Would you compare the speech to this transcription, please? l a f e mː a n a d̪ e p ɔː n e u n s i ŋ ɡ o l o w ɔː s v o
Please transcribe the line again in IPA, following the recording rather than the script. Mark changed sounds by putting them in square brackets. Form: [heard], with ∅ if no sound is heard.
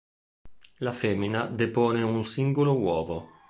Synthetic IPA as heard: l a f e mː [i] n a d̪ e p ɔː n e u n s i ŋ ɡ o l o w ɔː [∅] v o